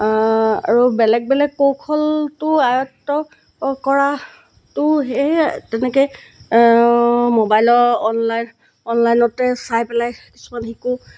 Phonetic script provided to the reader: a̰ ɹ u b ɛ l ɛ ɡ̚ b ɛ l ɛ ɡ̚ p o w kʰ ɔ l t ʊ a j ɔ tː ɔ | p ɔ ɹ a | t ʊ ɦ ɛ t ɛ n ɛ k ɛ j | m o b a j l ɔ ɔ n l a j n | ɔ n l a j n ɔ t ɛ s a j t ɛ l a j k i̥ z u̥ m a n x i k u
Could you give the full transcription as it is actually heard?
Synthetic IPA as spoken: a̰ ɹ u b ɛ l ɛ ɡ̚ b ɛ l ɛ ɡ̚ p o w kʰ ɔ l t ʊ a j ɔ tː ɔ | k ɔ ɹ a | t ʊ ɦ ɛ t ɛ n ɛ k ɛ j | m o b a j l ɔ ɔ n l a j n | ɔ n l a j n ɔ t ɛ s a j p ɛ l a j k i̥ s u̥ m a n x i k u

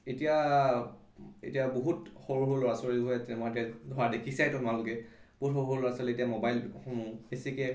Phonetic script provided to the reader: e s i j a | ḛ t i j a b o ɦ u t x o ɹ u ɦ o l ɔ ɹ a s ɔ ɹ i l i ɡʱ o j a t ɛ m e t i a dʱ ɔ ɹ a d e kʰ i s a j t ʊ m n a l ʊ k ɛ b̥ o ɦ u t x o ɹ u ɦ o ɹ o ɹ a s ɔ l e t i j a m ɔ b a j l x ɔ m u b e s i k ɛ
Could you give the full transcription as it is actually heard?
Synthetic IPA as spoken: e t i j a | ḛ t i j a b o ɦ u t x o ɹ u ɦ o l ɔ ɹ a s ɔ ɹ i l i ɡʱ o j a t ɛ m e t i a dʱ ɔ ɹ a d e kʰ i s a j t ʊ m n a l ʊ k ɛ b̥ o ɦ u t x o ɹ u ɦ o l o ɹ a s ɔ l e t i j a m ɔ b a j l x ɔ m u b e s i k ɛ

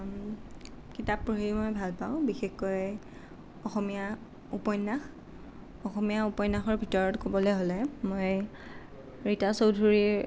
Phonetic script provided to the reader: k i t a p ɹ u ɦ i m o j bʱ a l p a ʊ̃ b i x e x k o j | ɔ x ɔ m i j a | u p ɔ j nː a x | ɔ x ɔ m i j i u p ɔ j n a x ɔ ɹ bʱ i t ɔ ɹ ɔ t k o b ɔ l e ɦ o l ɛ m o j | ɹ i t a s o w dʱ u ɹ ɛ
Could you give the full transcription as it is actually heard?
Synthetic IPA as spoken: k i t a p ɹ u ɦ i m o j bʱ a l p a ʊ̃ b i x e x k o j | ɔ x ɔ m i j a | u p ɔ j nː a x | ɔ x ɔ m i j a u p ɔ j n a x ɔ ɹ bʱ i t ɔ ɹ ɔ t k o b ɔ l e ɦ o l ɛ m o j | ɹ i t a s o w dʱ u ɹ i

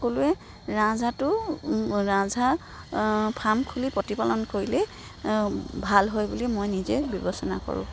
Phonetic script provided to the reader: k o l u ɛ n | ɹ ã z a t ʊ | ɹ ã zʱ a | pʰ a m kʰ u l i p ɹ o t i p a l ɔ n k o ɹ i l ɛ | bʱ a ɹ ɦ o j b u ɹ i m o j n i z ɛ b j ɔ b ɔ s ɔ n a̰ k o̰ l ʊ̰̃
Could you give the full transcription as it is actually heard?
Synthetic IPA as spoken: k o l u ɛ | ɹ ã z a t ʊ | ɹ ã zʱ a | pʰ a m kʰ u l i p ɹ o t i p a l ɔ n k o ɹ i l ɛ | bʱ a l ɦ o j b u l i m o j n i z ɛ b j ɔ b ɔ s ɔ n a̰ k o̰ ɹ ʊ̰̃

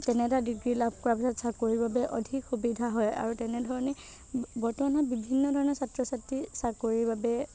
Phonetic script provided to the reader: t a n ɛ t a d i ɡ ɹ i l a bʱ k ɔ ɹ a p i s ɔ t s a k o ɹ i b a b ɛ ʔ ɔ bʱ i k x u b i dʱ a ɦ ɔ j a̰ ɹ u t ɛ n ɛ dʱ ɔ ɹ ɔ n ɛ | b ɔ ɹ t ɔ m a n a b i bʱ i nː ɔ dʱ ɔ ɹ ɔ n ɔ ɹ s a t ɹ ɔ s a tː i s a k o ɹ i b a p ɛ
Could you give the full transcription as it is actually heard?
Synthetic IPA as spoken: t ɛ n ɛ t a d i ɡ ɹ i l a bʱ k ɔ ɹ a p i s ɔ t s a k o ɹ i b a b ɛ ʔ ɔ dʱ i k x u b i dʱ a ɦ ɔ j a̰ ɹ u t ɛ n ɛ dʱ ɔ ɹ ɔ n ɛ | b ɔ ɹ t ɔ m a n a b i bʱ i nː ɔ dʱ ɔ ɹ ɔ n ɔ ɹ s a t ɹ ɔ s a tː i s a k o ɹ i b a b ɛ

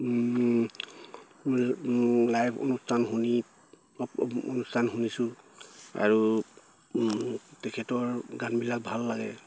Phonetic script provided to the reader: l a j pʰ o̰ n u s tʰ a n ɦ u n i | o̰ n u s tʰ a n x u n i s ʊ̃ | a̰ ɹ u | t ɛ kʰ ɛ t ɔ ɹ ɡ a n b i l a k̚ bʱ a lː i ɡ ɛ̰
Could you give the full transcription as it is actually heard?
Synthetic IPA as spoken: l a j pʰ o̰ n u s tʰ a n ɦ u n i | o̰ n u s tʰ a n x u n i s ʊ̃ | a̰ ɹ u | t ɛ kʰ ɛ t ɔ ɹ ɡ a n b i l a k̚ bʱ a lː a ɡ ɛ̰

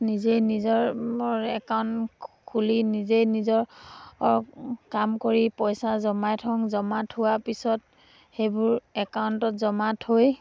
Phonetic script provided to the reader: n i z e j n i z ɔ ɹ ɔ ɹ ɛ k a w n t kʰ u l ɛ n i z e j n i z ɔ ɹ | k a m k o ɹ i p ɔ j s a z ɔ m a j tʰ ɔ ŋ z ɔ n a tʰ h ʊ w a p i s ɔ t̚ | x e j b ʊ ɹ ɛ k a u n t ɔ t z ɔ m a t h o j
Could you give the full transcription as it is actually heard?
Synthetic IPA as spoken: n i z e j n i z ɔ ɹ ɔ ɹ ɛ k a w n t kʰ u l i n i z e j n i z ɔ ɹ | k a m k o ɹ i p ɔ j s a z ɔ m a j tʰ ɔ ŋ z ɔ m a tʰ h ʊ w a p i s ɔ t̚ | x e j b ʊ ɹ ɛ k a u n t ɔ t z ɔ m a t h o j

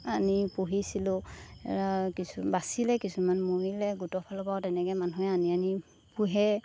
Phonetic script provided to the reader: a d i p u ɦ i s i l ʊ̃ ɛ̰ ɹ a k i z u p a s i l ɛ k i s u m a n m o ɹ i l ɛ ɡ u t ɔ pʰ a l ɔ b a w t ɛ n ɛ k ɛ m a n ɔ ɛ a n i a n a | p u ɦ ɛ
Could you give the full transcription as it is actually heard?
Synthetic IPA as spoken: a n i p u ɦ i s i l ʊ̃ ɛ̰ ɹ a k i s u b a s i l ɛ k i s u m a n m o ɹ i l ɛ ɡ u t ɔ pʰ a l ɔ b a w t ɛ n ɛ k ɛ m a n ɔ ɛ a n i a n i | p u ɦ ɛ

